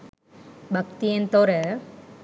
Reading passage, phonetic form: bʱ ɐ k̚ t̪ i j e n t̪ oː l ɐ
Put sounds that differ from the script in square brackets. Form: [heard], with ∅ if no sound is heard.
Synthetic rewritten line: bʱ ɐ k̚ t̪ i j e n t̪ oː [ɾ] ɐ